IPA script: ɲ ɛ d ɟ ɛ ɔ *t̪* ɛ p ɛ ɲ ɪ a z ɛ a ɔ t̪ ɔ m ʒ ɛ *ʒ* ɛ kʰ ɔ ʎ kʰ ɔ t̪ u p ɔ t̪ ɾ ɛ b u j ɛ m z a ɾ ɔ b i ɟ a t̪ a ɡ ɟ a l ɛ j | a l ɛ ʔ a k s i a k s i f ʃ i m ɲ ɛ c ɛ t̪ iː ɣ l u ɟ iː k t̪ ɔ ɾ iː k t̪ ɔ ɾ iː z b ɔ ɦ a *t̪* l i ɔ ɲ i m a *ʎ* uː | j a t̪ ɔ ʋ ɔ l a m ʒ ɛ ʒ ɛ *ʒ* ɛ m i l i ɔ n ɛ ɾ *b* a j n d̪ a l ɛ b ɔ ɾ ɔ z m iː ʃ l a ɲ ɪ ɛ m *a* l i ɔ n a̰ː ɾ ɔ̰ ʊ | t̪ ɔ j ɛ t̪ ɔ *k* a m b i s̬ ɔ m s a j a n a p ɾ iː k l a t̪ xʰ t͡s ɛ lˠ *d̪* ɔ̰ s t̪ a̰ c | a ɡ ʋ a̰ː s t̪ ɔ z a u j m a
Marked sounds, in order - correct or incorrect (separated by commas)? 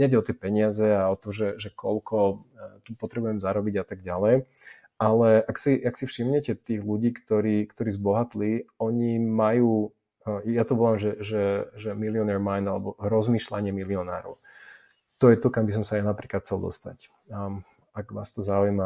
correct, correct, correct, incorrect, correct, incorrect, incorrect, correct, correct